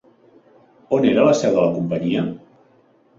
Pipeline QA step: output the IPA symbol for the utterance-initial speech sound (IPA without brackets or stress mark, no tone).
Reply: o